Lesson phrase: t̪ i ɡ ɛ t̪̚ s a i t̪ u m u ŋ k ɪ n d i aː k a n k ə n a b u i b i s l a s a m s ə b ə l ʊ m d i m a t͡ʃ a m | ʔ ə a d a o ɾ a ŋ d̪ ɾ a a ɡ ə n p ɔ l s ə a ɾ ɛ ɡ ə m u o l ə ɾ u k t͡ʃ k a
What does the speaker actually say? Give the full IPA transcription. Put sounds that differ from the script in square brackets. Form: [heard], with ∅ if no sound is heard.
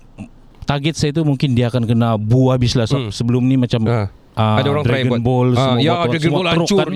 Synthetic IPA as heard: t̪ [a] ɡ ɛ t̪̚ s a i t̪ u m u ŋ k ɪ n d i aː k a n k ə n a b u [a] b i s l a s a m s ə b ə l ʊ m [n] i m a t͡ʃ a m | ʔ ə a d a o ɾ a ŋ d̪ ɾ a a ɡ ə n [b] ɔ l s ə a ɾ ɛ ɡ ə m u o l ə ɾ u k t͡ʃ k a